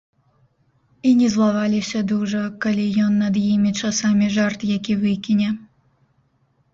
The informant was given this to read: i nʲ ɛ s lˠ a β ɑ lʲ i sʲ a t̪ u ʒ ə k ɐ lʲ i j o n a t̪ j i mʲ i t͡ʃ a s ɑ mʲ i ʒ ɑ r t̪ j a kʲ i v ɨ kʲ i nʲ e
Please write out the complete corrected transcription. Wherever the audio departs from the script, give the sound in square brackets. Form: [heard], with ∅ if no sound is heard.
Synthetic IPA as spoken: i nʲ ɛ [z] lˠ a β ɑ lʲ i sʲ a [d̪] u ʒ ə k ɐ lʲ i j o [nː] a [d̪] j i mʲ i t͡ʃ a s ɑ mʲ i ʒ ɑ r t̪ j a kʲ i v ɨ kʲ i nʲ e